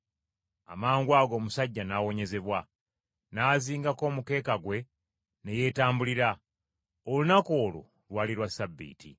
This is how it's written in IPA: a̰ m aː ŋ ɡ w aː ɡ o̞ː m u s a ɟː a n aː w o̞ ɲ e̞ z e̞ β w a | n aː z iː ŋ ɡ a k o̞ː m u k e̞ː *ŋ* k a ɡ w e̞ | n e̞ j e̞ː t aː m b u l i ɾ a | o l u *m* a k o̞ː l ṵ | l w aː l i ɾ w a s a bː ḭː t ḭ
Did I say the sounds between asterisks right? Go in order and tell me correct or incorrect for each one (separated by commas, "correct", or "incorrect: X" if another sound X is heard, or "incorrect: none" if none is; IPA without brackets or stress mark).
incorrect: none, incorrect: n